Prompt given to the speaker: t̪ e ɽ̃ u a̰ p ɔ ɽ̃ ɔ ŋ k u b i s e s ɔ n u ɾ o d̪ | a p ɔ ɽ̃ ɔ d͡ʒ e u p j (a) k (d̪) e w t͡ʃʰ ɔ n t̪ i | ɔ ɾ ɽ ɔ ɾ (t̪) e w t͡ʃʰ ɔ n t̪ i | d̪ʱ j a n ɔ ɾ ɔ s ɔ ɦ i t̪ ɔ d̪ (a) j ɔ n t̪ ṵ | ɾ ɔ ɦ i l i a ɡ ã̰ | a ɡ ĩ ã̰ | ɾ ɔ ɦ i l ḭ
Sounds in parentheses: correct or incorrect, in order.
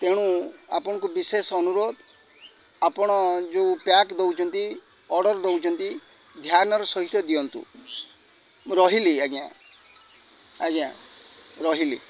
correct, correct, incorrect, incorrect

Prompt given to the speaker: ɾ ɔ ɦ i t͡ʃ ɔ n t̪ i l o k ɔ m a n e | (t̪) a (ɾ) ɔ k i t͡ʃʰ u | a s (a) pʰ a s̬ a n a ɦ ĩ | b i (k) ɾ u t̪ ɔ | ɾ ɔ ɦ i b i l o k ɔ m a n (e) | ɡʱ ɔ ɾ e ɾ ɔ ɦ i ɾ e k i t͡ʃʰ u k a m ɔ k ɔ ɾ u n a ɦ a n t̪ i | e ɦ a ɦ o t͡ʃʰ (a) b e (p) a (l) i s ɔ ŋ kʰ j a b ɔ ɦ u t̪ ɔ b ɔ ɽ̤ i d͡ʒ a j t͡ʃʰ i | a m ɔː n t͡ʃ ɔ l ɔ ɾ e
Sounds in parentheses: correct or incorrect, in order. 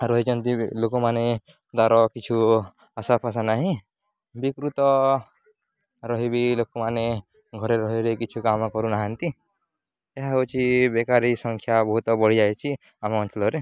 incorrect, correct, correct, correct, correct, incorrect, incorrect, incorrect

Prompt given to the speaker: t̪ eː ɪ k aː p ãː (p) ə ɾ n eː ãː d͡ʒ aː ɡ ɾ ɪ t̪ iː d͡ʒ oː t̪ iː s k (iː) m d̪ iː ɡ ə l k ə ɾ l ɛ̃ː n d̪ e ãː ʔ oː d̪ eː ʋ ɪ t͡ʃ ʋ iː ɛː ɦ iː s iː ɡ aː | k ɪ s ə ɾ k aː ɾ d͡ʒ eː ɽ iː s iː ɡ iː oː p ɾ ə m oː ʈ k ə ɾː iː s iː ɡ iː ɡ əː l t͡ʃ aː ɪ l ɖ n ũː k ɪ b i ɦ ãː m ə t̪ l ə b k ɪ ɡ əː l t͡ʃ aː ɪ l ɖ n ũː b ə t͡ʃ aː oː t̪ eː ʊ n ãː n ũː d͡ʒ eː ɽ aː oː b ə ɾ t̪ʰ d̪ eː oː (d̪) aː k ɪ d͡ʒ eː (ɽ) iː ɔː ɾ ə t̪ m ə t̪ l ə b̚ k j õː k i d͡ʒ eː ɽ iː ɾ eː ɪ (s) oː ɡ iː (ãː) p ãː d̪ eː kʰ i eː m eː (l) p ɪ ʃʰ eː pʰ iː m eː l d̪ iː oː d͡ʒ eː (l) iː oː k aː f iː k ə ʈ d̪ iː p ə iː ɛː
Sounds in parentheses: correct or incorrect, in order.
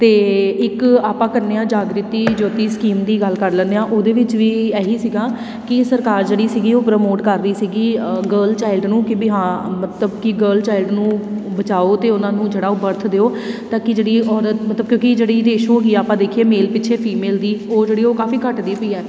incorrect, correct, incorrect, correct, incorrect, incorrect, correct, incorrect

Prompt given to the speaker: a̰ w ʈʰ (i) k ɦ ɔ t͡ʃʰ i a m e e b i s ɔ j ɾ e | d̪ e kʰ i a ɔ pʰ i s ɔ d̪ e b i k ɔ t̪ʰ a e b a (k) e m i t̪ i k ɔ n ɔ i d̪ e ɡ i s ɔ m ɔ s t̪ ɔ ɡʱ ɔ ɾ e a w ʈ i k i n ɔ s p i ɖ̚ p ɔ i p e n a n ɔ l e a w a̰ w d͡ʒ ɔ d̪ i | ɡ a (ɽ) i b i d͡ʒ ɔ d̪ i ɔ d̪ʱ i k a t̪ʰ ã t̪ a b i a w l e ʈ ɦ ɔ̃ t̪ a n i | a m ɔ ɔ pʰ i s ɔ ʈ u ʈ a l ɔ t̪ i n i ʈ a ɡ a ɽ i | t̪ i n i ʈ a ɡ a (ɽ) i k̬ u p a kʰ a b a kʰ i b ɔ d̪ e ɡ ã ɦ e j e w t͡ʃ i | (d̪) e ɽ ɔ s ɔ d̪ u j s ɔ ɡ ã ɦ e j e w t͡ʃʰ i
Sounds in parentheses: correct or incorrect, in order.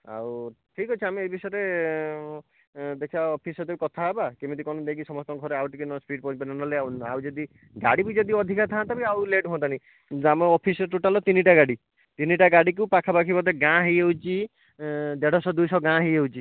correct, correct, correct, correct, correct

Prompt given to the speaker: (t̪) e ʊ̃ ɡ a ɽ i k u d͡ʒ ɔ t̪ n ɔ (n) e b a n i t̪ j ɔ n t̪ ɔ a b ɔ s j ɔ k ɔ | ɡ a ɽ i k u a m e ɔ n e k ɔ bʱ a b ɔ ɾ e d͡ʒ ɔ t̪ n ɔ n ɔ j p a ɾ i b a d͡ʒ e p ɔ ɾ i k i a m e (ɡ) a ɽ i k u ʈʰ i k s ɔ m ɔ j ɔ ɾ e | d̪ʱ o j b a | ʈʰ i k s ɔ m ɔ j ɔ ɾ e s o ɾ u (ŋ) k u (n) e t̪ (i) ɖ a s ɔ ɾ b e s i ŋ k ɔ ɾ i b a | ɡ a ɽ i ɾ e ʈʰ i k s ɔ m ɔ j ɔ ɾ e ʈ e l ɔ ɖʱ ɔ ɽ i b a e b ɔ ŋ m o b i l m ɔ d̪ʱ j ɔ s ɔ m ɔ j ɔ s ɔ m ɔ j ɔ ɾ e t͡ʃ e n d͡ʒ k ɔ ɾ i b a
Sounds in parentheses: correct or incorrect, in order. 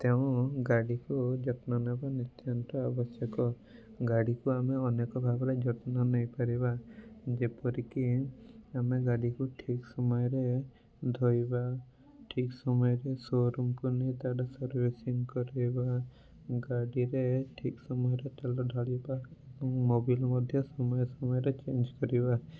correct, correct, correct, incorrect, correct, incorrect

